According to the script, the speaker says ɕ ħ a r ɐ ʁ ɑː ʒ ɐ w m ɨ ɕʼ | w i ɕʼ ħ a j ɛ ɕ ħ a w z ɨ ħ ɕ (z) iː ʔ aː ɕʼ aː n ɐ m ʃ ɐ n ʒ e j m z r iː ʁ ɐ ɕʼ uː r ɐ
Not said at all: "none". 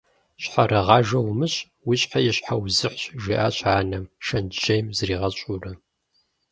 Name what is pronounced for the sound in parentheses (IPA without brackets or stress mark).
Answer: ʒ